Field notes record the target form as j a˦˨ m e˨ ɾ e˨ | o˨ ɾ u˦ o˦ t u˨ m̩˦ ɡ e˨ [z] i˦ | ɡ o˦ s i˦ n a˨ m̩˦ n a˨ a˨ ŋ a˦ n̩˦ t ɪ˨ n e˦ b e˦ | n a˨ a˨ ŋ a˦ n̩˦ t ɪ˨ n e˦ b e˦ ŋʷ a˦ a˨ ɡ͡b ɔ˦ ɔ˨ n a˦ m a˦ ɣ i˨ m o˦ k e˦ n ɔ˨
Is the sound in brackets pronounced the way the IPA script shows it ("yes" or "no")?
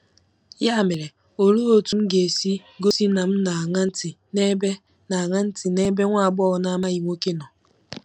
no